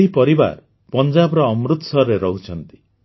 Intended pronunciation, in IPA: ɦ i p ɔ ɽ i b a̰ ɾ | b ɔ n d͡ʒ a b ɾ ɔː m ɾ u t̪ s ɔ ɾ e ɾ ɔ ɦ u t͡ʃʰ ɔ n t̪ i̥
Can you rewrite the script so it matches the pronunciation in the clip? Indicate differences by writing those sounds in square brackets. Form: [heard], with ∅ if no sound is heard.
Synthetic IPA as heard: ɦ i p ɔ [ɾ] i b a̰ ɾ | [p] ɔ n d͡ʒ a b ɾ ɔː m ɾ u t̪ s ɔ ɾ e ɾ ɔ ɦ u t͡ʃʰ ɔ n t̪ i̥